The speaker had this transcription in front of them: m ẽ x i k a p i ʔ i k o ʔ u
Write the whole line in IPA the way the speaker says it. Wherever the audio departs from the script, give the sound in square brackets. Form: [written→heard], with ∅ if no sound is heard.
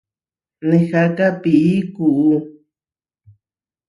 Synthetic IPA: [m→n] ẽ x [i→a] k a p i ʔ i k [o→u] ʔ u